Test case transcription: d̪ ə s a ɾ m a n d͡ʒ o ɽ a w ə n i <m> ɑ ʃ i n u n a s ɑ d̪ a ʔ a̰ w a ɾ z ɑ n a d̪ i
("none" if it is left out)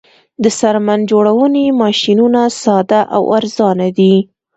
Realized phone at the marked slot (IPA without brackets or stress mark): m